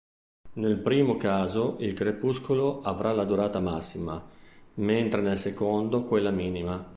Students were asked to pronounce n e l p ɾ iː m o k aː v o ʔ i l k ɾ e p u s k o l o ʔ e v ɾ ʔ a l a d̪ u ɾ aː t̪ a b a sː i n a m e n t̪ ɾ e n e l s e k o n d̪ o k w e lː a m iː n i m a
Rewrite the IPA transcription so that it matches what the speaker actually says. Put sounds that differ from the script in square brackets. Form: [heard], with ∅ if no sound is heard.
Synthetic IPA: n e l p ɾ iː m o k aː [z] o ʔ i l k ɾ e p u s k o l o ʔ [a] v ɾ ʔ a l a d̪ u ɾ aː t̪ a [m] a sː i [m] a m e n t̪ ɾ e n e l s e k o n d̪ o k w e lː a m iː n i m a